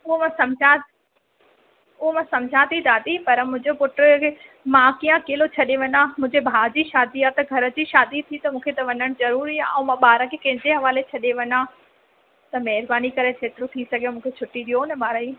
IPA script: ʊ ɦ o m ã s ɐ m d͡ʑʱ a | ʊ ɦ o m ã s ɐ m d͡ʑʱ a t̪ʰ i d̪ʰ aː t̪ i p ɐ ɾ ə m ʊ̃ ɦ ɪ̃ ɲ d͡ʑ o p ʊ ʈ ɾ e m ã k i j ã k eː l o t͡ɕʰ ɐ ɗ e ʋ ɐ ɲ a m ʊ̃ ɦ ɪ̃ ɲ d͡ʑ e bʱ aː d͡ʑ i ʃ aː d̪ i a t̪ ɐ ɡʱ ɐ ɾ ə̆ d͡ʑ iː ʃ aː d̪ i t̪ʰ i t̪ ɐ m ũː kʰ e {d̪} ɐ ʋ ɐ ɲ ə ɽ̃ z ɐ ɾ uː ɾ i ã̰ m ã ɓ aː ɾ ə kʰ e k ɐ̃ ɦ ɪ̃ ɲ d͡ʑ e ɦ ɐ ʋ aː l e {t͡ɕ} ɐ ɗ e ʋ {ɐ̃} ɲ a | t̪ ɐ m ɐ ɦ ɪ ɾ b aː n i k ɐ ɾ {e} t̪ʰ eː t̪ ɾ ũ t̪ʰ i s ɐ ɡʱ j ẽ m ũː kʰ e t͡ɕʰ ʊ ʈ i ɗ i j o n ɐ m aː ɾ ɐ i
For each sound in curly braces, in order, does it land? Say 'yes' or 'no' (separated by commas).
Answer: no, no, no, yes